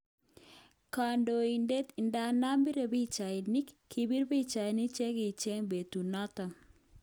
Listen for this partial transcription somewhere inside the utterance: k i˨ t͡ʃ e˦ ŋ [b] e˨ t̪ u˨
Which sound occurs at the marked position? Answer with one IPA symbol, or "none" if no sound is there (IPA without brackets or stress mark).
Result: b